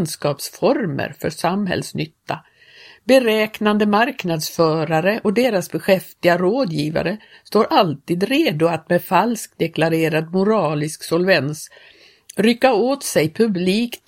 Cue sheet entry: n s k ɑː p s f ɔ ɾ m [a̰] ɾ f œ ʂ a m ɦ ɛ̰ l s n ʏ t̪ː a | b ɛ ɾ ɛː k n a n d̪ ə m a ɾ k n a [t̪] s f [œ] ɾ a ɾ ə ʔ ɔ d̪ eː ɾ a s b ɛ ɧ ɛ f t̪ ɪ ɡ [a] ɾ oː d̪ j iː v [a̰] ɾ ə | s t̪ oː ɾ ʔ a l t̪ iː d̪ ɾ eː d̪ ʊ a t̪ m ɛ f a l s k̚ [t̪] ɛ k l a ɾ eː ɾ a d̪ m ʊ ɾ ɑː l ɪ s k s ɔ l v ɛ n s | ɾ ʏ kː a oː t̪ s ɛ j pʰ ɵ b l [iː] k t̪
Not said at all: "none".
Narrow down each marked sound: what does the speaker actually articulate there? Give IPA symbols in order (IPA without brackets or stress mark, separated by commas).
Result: ə̰, d̪, œː, a, a̰, d̪, iː